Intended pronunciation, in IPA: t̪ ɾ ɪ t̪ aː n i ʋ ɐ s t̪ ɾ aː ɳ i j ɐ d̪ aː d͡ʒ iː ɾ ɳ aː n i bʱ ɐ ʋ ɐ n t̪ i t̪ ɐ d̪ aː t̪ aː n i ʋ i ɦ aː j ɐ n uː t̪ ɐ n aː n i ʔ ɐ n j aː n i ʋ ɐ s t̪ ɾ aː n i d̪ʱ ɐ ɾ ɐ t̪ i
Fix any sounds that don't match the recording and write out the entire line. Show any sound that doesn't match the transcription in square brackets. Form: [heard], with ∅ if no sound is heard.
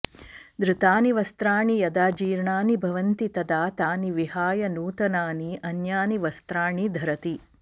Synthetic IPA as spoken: [d̪] ɾ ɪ t̪ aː n i ʋ ɐ s t̪ ɾ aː ɳ i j ɐ d̪ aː d͡ʒ iː ɾ ɳ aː n i bʱ ɐ ʋ ɐ n t̪ i t̪ ɐ d̪ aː t̪ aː n i ʋ i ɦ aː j ɐ n uː t̪ ɐ n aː n i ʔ ɐ n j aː n i ʋ ɐ s t̪ ɾ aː [ɳ] i d̪ʱ ɐ ɾ ɐ t̪ i